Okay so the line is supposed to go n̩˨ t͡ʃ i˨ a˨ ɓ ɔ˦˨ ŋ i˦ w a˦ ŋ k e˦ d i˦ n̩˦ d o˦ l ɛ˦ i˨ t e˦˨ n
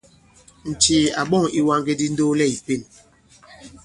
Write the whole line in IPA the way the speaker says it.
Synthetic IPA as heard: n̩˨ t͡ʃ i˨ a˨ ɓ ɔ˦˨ ŋ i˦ w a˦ ŋ ɡ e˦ d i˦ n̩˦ d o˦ l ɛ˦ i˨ p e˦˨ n